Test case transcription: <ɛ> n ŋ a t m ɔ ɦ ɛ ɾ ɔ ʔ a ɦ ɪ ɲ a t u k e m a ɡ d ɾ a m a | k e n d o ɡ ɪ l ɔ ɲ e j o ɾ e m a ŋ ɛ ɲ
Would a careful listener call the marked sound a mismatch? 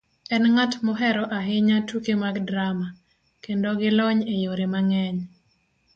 no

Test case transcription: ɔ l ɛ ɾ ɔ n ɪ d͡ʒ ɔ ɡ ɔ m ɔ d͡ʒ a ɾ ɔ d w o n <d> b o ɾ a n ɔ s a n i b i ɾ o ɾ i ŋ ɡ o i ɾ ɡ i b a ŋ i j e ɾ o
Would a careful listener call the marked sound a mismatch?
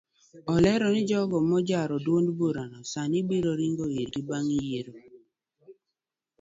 no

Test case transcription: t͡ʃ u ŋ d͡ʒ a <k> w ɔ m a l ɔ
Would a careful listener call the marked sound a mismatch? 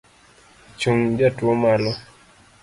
yes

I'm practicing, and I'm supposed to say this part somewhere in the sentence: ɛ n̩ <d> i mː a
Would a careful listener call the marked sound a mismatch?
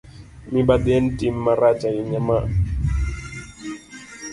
yes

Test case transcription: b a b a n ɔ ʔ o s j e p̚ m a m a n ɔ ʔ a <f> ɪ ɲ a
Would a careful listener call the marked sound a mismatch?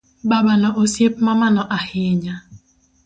yes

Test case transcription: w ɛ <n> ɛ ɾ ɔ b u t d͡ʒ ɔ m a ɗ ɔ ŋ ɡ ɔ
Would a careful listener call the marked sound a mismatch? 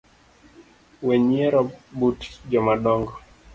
yes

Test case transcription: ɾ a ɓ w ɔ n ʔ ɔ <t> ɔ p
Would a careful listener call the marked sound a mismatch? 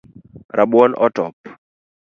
no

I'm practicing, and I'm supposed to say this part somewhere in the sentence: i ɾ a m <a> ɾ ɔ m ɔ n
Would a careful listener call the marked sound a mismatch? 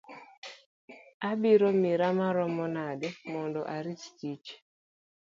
no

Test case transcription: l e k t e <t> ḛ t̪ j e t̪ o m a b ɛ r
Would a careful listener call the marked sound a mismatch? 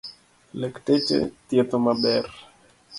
yes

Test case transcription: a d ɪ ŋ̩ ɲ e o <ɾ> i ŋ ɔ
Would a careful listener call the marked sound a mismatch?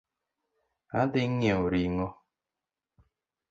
no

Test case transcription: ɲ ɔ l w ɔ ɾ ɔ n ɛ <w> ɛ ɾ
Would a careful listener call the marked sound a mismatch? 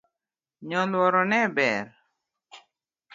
yes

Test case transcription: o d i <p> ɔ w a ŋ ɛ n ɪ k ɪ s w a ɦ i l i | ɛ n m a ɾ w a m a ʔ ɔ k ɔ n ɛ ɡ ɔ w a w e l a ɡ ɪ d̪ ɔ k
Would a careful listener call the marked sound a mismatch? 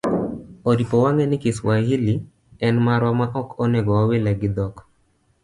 no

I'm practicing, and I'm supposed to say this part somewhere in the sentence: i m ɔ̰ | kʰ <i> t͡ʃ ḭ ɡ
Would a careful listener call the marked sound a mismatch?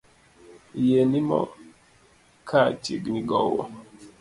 yes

